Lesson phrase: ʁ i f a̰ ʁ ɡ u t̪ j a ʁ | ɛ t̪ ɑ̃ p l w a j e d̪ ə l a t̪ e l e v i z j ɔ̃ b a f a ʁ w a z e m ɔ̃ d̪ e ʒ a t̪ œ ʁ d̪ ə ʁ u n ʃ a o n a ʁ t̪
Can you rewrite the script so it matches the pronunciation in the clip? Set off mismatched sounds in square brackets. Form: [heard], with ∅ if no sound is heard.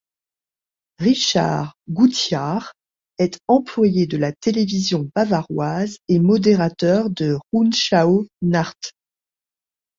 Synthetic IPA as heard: ʁ i [ʃ] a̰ ʁ ɡ u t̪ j a ʁ | ɛ t̪ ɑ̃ p l w a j e d̪ ə l a t̪ e l e v i z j ɔ̃ b a [v] a ʁ w a z e m [ɔ] d̪ e [ʁ] a t̪ œ ʁ d̪ ə ʁ u n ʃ a o n a ʁ t̪

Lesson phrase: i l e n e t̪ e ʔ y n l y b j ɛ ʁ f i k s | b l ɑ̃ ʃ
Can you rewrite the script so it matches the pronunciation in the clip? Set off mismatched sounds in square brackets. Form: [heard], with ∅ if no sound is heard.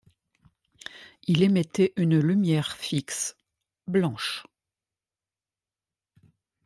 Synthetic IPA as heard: i l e [m] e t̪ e ʔ y n l y [m] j ɛ ʁ f i k s | b l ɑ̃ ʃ

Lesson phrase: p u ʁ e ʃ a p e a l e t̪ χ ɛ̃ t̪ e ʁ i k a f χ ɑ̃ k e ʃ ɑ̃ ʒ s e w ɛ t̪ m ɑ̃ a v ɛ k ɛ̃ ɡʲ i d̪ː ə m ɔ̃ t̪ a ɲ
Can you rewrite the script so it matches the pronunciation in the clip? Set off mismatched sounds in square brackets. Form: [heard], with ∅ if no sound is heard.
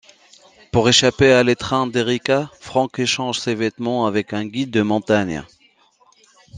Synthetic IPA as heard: p u ʁ e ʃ a p e a l e t̪ χ ɛ̃ [d̪] e ʁ i k a f χ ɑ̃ k e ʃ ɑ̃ ʒ s e [v] ɛ t̪ m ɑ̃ a v ɛ k ɛ̃ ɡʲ i d̪ː ə m ɔ̃ t̪ a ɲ

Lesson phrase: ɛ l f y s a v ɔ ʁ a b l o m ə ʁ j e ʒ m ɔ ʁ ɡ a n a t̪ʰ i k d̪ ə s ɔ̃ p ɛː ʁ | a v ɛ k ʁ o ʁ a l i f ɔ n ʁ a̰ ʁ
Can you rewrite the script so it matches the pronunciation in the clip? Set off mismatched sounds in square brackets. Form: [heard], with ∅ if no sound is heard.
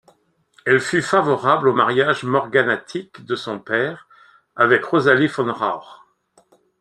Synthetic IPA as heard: ɛ l f y [f] a v ɔ ʁ a b l o m [a] ʁ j [a] ʒ m ɔ ʁ ɡ a n a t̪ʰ i k d̪ ə s ɔ̃ p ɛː ʁ | a v ɛ k ʁ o [z] a l i f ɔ n ʁ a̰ ʁ

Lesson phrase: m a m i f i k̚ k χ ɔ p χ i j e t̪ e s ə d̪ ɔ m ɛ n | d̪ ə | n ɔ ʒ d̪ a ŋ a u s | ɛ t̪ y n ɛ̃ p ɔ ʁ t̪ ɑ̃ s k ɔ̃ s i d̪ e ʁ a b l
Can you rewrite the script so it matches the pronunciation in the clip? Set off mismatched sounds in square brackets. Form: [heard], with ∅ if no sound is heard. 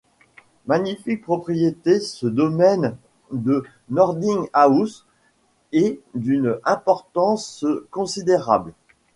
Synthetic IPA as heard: m a [ɲ] i f i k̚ [p] χ ɔ p χ i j e t̪ e s ə d̪ ɔ m ɛ n | d̪ ə | n ɔ [ʁ] d̪ [i] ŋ a u s | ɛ [d̪] y n ɛ̃ p ɔ ʁ t̪ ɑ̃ s k ɔ̃ s i d̪ e ʁ a b l

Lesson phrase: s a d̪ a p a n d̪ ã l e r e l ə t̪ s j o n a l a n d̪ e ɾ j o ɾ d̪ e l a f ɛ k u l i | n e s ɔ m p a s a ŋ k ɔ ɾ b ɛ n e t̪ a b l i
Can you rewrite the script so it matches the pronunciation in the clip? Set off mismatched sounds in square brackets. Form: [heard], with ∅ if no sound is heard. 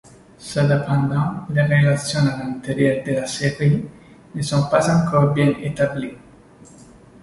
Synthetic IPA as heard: s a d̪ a p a n d̪ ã l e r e l [a] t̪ s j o n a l a n [t̪] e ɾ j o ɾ d̪ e l a [s] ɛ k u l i | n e s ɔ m p a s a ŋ k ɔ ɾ b ɛ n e t̪ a b l i

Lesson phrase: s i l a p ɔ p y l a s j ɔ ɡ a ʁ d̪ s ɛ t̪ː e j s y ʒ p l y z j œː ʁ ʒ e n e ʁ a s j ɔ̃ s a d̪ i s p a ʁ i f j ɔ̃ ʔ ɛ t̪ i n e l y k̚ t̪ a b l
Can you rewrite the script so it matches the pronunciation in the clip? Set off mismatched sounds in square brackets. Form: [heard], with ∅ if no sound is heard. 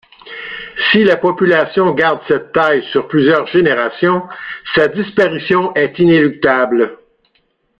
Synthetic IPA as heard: s i l a p ɔ p y l a s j [ɔ̃] ɡ a ʁ d̪ s ɛ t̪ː [a] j s y [ʁ] p l y z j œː ʁ ʒ e n e ʁ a s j ɔ̃ s a d̪ i s p a ʁ i [s] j ɔ̃ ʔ ɛ t̪ i n e l y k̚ t̪ a b l

